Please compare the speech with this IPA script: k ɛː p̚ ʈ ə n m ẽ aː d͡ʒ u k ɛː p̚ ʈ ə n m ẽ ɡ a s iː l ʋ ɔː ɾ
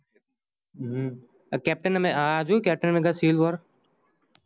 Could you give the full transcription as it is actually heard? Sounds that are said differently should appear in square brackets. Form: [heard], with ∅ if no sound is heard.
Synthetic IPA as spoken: k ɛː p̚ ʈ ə n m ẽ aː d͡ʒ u k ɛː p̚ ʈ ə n m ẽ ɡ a s iː l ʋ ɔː ɾ